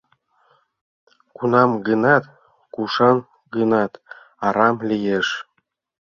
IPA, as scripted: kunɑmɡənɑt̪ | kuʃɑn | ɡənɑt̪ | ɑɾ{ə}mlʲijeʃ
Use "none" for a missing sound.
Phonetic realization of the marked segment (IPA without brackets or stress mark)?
ɑ